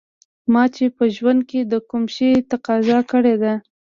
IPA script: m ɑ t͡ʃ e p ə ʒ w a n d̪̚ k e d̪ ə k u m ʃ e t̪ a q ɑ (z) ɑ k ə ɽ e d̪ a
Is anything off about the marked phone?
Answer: no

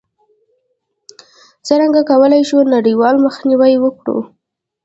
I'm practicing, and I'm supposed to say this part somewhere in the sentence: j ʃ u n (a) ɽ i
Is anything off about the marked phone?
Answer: no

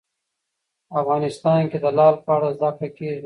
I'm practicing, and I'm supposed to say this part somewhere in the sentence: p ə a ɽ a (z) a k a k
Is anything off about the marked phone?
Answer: no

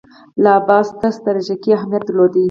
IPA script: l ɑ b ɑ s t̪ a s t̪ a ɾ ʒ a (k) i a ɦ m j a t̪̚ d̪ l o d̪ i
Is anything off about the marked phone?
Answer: no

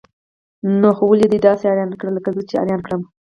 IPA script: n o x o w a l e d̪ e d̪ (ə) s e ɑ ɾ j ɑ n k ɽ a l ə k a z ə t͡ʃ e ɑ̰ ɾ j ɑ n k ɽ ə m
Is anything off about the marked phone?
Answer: yes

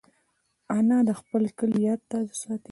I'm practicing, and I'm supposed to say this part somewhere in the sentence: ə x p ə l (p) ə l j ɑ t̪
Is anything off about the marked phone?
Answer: yes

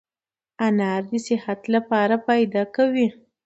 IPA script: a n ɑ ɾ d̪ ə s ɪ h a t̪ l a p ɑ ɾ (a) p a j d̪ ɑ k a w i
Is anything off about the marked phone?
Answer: no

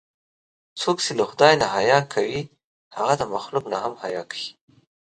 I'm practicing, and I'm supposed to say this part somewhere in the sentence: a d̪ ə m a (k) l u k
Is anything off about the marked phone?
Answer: yes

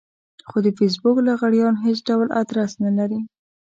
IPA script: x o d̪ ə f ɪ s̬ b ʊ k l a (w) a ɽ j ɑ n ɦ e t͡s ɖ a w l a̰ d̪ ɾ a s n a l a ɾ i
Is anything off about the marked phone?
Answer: yes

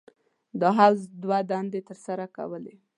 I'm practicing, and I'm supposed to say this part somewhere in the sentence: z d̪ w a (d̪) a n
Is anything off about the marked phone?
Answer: no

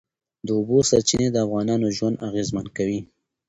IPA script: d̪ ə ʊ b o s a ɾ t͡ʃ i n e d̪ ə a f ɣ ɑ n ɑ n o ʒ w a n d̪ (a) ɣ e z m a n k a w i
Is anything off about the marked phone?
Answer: no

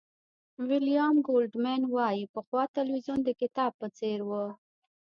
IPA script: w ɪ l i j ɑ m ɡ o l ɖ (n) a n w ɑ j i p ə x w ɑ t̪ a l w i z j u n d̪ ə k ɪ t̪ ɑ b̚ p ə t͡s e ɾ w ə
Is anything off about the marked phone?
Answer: yes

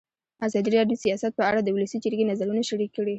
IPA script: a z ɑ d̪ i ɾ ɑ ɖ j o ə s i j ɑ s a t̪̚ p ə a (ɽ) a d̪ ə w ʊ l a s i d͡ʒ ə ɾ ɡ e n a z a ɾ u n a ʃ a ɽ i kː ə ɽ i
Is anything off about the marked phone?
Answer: no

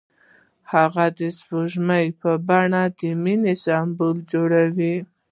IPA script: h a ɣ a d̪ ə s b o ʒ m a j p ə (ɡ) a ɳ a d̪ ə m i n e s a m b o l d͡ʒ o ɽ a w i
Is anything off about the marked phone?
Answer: yes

